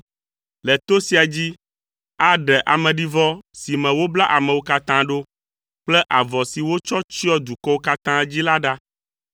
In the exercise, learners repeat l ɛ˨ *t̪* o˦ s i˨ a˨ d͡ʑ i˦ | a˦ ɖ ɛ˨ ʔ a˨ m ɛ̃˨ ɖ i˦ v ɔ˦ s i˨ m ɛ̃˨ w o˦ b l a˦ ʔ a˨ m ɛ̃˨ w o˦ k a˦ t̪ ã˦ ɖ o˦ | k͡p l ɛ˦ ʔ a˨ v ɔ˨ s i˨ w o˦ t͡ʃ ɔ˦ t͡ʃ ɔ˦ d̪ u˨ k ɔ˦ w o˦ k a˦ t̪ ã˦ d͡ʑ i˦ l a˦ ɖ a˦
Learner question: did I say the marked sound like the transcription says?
yes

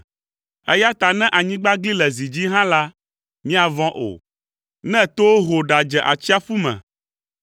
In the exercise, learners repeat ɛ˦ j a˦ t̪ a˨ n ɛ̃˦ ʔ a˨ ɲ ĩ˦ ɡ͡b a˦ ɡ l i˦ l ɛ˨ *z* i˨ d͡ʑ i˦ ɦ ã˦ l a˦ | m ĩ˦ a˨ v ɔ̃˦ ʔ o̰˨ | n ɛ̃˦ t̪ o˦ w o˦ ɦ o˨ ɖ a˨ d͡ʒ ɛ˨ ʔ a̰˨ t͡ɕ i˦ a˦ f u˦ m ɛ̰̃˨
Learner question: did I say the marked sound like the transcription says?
yes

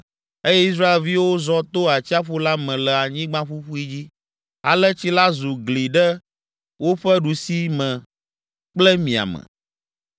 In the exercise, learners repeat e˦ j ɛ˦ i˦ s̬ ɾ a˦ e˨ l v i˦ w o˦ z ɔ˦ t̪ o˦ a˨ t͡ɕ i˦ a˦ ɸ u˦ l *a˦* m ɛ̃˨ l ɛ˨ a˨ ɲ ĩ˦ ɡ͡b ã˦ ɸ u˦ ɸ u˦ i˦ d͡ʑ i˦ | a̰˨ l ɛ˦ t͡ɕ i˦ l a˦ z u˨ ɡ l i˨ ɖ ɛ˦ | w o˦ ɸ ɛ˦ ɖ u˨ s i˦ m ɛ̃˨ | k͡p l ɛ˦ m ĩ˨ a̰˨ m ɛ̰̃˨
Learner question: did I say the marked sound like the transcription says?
yes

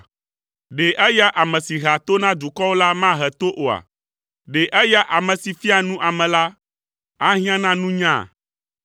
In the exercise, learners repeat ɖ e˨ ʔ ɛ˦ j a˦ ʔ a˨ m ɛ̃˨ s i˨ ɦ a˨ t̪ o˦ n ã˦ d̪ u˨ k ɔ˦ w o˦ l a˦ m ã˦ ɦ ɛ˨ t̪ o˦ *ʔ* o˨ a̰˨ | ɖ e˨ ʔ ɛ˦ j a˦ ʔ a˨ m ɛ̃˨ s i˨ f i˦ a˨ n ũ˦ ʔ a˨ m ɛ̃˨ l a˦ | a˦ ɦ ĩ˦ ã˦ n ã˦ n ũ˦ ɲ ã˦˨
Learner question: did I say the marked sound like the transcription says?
yes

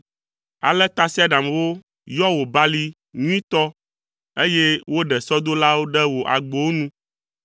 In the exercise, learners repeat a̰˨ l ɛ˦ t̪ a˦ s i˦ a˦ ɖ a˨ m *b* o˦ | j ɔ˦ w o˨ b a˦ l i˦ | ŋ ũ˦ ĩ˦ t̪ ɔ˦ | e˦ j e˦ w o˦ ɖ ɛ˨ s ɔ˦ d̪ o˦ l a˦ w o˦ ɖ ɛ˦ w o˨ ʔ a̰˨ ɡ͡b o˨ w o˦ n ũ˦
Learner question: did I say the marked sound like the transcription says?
no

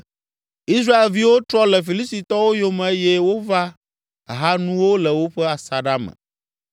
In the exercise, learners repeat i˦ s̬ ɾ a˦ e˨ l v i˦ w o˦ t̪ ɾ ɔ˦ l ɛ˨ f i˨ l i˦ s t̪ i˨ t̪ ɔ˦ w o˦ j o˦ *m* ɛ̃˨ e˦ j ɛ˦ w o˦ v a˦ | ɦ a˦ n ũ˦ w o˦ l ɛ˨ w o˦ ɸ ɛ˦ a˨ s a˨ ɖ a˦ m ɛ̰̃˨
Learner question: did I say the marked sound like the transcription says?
yes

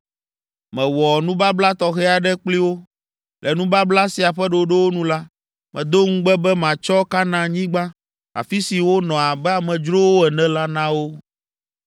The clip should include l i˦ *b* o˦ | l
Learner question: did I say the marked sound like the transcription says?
no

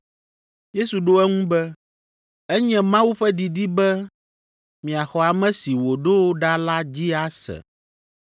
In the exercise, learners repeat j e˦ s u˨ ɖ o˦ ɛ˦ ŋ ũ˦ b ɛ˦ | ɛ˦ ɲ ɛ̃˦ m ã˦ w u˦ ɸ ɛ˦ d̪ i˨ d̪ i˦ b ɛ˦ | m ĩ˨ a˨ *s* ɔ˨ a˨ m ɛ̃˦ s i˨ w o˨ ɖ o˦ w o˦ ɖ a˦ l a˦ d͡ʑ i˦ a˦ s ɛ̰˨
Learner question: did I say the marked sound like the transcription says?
no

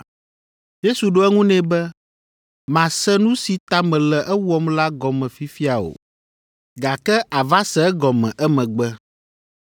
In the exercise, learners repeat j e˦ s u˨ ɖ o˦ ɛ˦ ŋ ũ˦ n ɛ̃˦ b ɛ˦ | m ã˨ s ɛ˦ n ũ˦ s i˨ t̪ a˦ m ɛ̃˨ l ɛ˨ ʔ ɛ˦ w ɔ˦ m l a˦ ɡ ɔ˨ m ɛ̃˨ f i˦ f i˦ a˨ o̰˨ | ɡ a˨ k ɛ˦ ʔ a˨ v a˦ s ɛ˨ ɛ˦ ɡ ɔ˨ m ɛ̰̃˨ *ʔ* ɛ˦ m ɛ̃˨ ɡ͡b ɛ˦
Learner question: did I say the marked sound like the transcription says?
yes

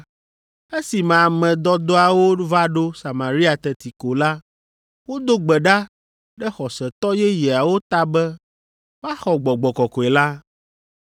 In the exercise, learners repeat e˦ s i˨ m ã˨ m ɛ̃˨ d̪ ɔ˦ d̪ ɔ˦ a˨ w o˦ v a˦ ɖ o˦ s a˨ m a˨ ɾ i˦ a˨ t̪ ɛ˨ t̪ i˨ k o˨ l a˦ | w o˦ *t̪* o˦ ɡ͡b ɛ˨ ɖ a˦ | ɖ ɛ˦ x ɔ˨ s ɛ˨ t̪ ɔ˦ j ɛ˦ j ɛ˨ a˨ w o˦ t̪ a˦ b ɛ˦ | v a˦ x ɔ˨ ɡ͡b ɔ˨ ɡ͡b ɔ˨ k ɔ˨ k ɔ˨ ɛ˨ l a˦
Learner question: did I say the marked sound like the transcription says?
no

